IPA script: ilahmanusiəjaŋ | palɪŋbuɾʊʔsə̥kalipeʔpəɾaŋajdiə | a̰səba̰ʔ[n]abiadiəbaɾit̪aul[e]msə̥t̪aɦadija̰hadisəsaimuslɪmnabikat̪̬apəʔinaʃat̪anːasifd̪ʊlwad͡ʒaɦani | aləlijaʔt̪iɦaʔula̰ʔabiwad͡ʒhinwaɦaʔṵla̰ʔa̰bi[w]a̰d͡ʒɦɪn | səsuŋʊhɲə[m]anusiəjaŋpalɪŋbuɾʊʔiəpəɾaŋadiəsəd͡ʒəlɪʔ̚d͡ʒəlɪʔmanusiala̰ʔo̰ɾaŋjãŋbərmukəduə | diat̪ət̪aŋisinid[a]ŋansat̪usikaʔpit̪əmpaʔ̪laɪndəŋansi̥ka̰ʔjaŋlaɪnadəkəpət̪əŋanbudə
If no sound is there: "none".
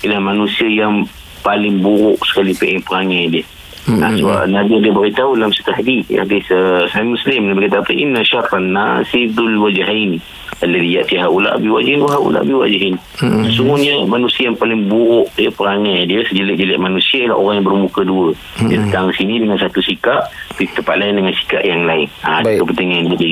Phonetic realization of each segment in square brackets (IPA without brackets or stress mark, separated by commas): n, a, w, m, ə